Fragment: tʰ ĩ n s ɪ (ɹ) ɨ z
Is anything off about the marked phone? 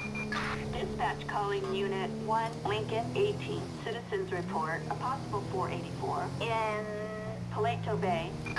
yes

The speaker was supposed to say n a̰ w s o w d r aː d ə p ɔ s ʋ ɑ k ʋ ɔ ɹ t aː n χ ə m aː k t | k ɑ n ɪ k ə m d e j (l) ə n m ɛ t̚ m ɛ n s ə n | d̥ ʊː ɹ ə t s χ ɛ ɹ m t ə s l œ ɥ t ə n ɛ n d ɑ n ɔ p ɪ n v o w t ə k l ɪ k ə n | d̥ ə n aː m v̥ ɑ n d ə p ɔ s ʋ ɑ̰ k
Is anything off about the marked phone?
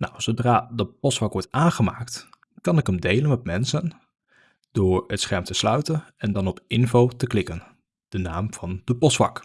no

